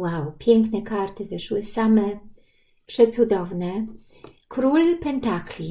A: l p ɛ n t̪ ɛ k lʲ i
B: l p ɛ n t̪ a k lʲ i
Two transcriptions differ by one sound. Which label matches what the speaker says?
B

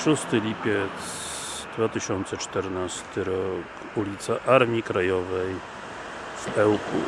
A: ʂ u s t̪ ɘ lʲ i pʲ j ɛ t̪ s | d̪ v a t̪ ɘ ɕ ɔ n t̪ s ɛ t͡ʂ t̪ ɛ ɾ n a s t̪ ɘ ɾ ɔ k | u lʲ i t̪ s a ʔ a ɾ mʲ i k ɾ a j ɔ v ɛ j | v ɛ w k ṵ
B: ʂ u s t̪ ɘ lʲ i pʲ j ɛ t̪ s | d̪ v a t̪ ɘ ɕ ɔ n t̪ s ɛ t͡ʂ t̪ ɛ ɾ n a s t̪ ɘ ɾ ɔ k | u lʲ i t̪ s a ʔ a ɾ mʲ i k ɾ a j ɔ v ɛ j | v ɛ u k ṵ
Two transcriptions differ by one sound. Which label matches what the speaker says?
A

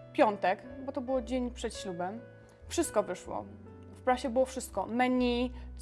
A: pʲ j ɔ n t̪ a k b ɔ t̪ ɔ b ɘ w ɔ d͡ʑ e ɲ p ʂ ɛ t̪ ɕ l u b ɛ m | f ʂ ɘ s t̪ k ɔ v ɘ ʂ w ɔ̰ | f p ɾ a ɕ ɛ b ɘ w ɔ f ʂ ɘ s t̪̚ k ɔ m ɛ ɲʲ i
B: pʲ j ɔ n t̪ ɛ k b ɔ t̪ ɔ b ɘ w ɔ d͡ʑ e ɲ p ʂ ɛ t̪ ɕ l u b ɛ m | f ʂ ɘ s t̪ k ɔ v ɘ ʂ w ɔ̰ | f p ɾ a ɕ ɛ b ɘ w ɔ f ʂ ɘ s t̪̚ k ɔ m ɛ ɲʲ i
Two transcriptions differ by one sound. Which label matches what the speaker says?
B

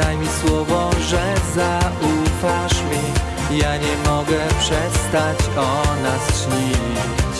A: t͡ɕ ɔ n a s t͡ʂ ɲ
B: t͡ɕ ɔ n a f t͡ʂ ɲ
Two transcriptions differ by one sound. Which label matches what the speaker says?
A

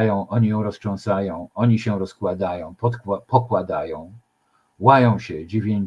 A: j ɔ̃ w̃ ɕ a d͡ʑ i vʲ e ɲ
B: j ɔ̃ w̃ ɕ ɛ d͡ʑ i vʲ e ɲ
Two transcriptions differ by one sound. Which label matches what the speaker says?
B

